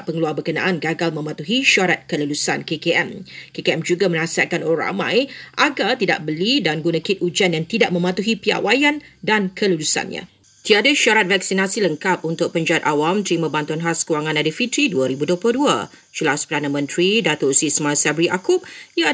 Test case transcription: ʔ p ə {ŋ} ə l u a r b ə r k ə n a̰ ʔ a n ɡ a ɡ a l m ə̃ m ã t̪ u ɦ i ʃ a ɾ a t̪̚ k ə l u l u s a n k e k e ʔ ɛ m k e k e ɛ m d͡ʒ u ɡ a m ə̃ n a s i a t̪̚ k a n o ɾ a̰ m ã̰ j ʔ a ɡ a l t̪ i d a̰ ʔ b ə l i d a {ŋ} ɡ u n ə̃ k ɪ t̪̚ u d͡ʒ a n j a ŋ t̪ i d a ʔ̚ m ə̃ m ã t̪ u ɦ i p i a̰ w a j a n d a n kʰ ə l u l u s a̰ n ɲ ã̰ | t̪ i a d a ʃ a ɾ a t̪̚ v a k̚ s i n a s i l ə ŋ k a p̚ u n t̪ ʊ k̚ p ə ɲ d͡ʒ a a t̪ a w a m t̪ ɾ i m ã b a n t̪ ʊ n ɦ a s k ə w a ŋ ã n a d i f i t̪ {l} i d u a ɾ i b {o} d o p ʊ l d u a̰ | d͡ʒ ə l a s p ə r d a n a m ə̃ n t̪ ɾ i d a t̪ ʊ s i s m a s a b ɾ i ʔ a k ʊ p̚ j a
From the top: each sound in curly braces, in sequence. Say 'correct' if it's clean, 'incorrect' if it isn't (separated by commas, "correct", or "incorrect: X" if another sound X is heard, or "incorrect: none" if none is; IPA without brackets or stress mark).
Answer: correct, incorrect: n, incorrect: ɾ, incorrect: u